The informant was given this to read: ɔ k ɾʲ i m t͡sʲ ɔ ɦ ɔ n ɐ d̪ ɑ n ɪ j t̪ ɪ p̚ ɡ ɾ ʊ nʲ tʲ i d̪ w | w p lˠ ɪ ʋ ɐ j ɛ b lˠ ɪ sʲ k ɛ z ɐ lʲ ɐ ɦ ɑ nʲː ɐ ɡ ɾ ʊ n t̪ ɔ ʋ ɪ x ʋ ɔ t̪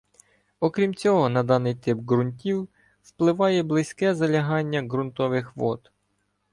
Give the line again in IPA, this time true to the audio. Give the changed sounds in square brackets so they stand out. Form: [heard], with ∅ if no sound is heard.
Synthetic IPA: ɔ k ɾʲ i m t͡sʲ ɔ ɦ ɔ n ɐ d̪ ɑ n ɪ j t̪ ɪ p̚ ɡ ɾ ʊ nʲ tʲ i [∅] w | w p lˠ ɪ ʋ [ɑ] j ɛ b lˠ ɪ sʲ k ɛ z ɐ lʲ ɐ ɦ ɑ nʲː ɐ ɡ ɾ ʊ n t̪ ɔ ʋ ɪ x ʋ ɔ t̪